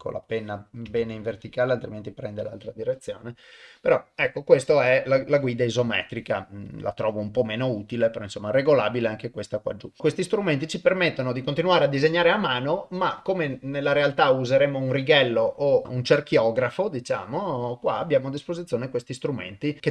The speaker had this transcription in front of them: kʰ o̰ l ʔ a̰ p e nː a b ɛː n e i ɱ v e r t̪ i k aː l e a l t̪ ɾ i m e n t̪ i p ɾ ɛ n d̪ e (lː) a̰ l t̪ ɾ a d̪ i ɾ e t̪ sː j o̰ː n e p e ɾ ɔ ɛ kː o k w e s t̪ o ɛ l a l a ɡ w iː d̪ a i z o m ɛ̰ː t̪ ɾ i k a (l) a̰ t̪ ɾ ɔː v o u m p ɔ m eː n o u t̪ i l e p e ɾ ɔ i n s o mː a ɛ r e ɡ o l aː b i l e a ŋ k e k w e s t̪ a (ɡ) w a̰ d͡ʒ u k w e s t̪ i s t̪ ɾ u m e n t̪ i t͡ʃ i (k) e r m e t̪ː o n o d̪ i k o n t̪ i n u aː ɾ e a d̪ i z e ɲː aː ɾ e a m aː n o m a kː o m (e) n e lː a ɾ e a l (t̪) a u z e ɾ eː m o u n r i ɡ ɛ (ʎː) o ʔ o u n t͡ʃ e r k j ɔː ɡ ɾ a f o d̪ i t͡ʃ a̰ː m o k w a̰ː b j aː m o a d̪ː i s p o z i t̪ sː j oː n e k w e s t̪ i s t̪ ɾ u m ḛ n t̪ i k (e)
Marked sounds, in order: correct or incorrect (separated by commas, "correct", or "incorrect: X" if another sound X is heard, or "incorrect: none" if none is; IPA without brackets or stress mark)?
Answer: incorrect: l, correct, incorrect: k, incorrect: p, correct, correct, incorrect: lː, correct